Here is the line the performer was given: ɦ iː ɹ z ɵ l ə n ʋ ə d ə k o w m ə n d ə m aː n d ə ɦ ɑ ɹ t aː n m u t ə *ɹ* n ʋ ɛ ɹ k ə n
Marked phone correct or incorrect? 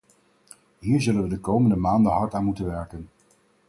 incorrect